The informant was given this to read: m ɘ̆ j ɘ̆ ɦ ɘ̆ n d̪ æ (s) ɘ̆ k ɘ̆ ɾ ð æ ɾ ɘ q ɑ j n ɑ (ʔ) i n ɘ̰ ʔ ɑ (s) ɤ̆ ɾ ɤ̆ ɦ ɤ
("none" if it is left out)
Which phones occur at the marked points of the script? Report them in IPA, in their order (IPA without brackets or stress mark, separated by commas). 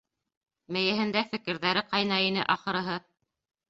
f, none, χ